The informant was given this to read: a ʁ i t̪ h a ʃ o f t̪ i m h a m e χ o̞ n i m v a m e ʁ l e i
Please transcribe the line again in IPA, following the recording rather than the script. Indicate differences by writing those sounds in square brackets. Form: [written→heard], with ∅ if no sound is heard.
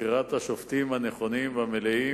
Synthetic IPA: [a→i] ʁ [i→a] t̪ h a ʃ o f t̪ i m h a [m→n] e χ o̞ n i m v a m e [ʁ→∅] l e i

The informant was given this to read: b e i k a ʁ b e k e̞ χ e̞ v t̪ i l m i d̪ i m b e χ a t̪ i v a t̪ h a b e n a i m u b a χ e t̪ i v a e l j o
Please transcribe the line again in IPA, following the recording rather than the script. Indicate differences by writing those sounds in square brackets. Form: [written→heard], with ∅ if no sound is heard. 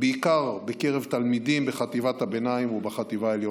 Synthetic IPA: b e i k a ʁ b e k e̞ [χ→ʁ] e̞ v t̪ [i→a] l m i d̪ i m b e χ a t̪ i v a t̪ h a b e n a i m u b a χ [e→a] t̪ i v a e l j o

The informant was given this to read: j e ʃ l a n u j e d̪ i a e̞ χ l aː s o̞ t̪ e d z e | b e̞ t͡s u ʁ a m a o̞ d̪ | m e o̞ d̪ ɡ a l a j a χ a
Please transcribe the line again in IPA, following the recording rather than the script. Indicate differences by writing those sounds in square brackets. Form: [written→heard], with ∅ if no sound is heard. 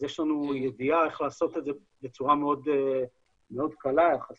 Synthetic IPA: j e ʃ l a n u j e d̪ i a e̞ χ l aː s o̞ t̪ e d z e | b e̞ t͡s u ʁ a m [a→e] o̞ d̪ | m e o̞ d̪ [ɡ→k] a l a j a χ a

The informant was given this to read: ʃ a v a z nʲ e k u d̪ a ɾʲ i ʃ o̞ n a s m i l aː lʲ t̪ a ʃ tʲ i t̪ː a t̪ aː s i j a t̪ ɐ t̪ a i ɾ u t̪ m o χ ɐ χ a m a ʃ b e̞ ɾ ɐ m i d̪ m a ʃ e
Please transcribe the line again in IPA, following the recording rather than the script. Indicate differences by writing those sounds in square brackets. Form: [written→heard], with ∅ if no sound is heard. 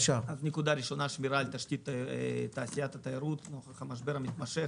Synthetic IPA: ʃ a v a z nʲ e k u d̪ a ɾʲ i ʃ o̞ n a [s→ʃ] m i [l→ɾ] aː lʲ t̪ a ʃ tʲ i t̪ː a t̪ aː s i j a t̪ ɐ t̪ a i ɾ u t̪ [m→n] o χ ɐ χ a m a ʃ b e̞ ɾ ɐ m i [d̪→t̪] m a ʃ e

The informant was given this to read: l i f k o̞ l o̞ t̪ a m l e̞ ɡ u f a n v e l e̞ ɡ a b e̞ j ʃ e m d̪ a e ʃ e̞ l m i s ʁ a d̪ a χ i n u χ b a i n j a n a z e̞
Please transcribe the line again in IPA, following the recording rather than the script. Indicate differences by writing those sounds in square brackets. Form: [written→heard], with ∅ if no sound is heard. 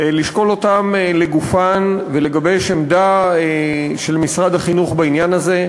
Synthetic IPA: l i [f→ʃ] k o̞ l o̞ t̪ a m l e̞ ɡ u f a n v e l e̞ ɡ a b e̞ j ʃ e m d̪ a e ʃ e̞ l m i s ʁ a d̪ a χ i n u χ b a i n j a n a z e̞

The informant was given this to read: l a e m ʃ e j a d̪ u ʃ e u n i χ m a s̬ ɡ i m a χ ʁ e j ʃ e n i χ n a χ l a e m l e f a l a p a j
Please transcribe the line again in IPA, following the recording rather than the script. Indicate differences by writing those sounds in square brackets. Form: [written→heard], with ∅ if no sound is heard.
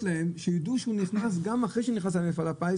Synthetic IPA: l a e m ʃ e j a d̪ u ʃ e u n i χ [m→n] a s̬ ɡ [i→a] m a χ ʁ e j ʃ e n i χ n a [χ→s] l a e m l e f a l a p a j

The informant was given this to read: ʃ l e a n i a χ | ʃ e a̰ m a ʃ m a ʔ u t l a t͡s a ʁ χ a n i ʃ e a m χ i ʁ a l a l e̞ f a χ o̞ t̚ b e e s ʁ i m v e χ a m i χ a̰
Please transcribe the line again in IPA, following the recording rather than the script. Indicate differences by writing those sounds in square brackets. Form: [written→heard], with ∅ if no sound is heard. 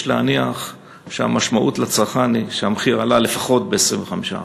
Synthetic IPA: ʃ l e a n i a χ | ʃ e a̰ m a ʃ m a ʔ u t l a t͡s a ʁ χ a n i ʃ e a m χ i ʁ a l a l e̞ f a χ o̞ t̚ b e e s ʁ i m v e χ a m i [χ→ʃ] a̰

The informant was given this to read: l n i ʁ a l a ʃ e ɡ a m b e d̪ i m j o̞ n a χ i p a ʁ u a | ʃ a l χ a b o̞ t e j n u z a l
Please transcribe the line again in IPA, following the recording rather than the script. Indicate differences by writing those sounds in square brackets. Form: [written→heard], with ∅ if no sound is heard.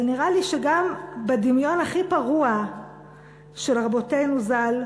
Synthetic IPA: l n i ʁ a l [a→i] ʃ e ɡ a m b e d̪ i m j o̞ n a χ i p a ʁ u a | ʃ [a→e] l [χ→ʁ] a b o̞ t e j n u z a l

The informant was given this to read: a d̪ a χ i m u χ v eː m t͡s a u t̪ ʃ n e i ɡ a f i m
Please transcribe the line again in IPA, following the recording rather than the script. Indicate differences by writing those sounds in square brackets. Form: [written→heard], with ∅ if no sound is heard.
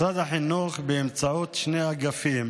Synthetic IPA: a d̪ a [χ→ħ] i [m→n] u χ [v→b] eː m t͡s a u t̪ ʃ n e [i→a] ɡ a f i m

